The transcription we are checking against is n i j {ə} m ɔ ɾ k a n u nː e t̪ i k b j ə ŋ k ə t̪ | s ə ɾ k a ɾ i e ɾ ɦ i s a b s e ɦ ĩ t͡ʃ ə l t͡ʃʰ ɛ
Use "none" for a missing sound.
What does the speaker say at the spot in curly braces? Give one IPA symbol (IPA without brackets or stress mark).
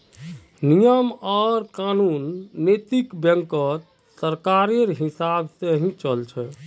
ə